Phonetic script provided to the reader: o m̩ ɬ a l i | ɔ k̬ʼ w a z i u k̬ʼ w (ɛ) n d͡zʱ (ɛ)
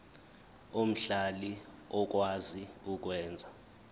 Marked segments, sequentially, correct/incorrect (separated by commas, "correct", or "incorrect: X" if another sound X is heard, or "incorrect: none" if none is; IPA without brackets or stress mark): incorrect: ɛː, incorrect: a